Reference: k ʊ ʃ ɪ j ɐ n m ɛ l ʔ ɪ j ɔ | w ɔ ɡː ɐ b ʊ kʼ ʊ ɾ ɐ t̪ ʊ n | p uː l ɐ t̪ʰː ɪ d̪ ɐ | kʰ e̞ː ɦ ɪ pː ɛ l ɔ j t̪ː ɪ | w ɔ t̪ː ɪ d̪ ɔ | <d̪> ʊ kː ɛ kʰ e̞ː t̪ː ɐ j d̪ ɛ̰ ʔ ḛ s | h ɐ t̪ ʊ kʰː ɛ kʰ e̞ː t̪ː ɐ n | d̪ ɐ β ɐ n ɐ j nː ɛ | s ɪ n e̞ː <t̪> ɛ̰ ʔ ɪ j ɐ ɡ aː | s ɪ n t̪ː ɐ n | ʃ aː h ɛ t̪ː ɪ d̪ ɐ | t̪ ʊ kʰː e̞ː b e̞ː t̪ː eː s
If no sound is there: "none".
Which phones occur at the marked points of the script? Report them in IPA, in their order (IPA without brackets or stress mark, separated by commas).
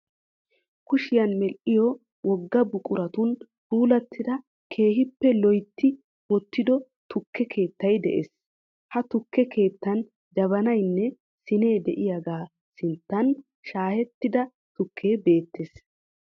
t̪, d̪